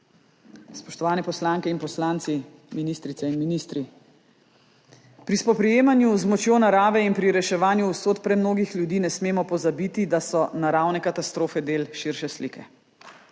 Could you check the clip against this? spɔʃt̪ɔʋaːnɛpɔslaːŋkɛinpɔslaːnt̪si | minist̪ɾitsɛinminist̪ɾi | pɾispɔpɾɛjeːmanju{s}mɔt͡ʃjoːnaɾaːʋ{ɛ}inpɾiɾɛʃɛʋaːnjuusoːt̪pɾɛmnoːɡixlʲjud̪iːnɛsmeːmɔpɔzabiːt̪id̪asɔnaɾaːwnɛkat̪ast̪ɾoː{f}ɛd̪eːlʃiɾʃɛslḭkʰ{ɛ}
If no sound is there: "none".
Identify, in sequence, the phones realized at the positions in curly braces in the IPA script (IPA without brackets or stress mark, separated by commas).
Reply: z, ɛ, f, ɛ